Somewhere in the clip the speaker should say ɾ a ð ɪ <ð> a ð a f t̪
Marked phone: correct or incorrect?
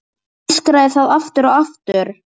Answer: incorrect: θ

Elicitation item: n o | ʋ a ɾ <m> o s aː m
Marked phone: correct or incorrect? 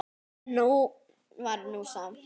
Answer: incorrect: n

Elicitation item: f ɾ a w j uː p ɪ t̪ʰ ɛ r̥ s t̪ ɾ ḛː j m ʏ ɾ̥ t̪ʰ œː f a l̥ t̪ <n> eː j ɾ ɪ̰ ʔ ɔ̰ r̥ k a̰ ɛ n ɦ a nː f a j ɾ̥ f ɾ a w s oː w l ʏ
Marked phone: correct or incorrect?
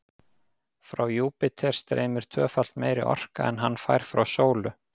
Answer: incorrect: m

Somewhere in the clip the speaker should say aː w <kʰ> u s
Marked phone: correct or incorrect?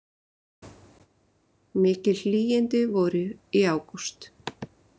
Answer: incorrect: k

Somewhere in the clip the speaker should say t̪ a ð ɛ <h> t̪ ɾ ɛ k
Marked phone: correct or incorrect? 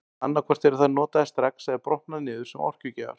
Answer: incorrect: s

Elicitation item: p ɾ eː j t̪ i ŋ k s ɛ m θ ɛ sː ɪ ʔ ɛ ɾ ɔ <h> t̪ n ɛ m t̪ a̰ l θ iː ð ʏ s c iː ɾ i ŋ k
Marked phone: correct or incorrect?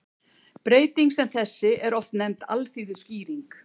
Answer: incorrect: f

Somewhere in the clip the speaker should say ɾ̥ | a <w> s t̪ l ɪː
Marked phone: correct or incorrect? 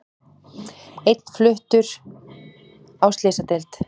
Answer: correct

